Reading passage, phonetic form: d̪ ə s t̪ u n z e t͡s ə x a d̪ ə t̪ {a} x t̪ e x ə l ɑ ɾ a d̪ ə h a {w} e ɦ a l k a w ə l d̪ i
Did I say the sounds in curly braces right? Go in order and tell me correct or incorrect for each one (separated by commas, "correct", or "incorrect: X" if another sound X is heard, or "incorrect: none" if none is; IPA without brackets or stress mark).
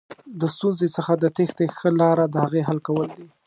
incorrect: e, incorrect: ɣ